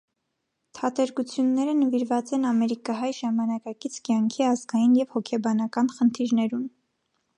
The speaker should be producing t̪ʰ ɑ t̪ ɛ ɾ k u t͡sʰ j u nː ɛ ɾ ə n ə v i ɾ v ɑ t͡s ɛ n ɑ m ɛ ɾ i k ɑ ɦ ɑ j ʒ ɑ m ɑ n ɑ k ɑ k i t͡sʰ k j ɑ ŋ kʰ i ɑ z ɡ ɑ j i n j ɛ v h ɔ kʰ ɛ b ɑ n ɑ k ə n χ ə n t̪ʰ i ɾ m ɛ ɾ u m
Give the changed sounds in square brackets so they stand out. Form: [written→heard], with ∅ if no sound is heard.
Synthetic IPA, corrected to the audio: t̪ʰ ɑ t̪ ɛ ɾ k u t͡sʰ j u nː ɛ ɾ ə n ə v i ɾ v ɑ t͡s ɛ n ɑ m ɛ ɾ i k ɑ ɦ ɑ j ʒ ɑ m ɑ n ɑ k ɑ k i t͡sʰ k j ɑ ŋ kʰ i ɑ z ɡ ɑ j i n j ɛ v h ɔ kʰ ɛ b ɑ n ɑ k [ə→ɑ] n χ ə n t̪ʰ i ɾ [m→n] ɛ ɾ u m